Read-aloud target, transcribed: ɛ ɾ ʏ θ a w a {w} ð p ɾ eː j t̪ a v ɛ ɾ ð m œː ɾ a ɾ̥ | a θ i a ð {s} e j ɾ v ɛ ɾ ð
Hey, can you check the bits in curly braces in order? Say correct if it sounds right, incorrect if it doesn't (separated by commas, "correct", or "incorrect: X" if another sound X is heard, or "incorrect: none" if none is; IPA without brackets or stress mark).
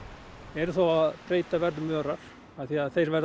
incorrect: none, incorrect: θ